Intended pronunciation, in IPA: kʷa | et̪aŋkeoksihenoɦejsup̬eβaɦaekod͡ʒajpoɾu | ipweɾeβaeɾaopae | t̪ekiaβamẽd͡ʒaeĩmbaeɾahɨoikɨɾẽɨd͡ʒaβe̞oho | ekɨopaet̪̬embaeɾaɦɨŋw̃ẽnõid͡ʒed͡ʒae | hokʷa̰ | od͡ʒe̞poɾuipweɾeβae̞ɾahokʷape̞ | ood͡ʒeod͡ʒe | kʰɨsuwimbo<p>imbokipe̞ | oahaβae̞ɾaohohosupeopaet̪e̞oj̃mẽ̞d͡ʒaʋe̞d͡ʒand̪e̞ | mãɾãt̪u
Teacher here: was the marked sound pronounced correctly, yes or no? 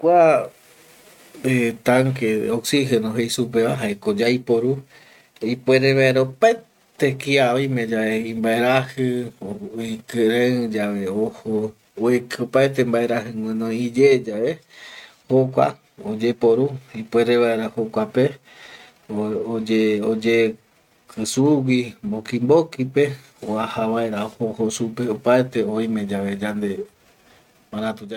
no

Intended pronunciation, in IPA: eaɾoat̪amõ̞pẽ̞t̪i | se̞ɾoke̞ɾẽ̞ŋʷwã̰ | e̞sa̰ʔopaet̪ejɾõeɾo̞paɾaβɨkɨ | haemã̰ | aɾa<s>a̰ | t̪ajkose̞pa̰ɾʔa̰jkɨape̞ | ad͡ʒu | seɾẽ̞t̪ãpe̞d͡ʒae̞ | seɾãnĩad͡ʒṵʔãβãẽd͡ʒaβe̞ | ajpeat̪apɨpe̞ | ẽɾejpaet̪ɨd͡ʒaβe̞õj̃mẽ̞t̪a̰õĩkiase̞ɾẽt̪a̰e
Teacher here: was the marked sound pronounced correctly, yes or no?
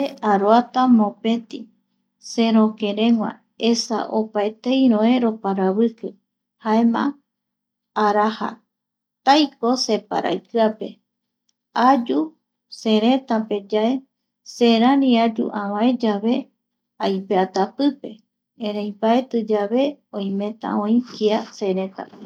no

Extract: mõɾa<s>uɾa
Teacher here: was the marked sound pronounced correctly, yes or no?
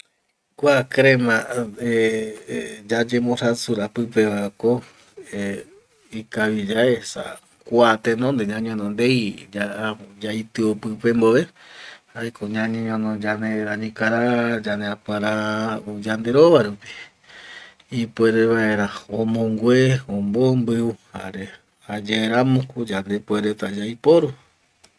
yes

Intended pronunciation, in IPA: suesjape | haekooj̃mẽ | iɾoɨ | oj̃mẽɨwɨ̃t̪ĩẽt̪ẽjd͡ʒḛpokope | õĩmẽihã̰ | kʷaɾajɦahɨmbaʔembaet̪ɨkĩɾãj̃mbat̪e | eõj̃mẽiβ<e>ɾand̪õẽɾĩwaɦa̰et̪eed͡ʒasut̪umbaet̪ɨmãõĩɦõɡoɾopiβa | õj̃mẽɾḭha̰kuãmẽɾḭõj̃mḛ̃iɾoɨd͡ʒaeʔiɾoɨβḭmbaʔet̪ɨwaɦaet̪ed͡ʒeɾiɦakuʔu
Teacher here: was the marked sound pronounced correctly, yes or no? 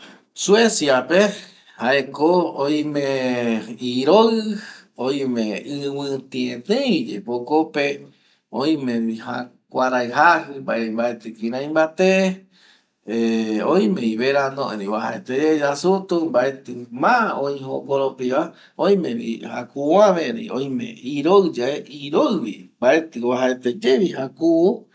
yes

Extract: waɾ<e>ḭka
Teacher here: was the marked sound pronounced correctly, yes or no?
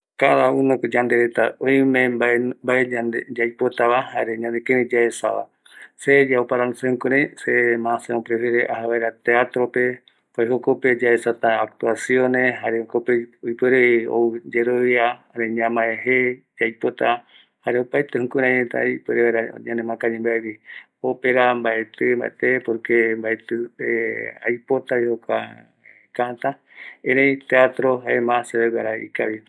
no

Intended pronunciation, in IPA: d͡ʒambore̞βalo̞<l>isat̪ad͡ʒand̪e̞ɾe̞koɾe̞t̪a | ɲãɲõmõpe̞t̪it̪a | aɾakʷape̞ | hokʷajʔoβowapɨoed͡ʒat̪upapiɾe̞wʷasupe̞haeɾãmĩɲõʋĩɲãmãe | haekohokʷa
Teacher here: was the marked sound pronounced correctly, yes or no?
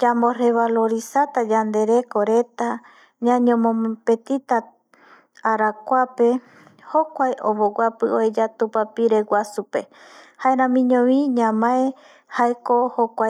no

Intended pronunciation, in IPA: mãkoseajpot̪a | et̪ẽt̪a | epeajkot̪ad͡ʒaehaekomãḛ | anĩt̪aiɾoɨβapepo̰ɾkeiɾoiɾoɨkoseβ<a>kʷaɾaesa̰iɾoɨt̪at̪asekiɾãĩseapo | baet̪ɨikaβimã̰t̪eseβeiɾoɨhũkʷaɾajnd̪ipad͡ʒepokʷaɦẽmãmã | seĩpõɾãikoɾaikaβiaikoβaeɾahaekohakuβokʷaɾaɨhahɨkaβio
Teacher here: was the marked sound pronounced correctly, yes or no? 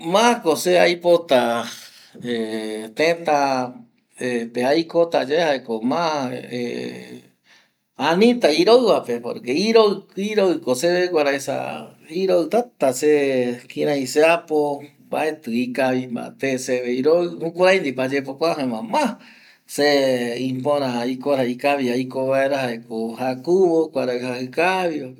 no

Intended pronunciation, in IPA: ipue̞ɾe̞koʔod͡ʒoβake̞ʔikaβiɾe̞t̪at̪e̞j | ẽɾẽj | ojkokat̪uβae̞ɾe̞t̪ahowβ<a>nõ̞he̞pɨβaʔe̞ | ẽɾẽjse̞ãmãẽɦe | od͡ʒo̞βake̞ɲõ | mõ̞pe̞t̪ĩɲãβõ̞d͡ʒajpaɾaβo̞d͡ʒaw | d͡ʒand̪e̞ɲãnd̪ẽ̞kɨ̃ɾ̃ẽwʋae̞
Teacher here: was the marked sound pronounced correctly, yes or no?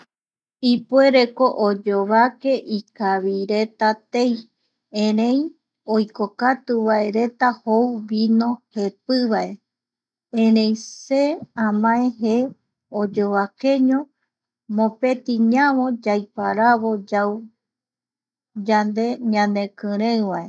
no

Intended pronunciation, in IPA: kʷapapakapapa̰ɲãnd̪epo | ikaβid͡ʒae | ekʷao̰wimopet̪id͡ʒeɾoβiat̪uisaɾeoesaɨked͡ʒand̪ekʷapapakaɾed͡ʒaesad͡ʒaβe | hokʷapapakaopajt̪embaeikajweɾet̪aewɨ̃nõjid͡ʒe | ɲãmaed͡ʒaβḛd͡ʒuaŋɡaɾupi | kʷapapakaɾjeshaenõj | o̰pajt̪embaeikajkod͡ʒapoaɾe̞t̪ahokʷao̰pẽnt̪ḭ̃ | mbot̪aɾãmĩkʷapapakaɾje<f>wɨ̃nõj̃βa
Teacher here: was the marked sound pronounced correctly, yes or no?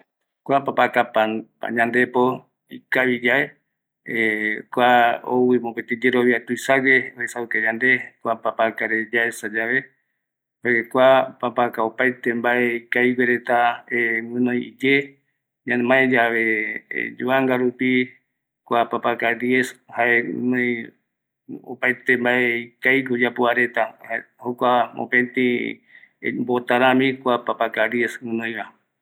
no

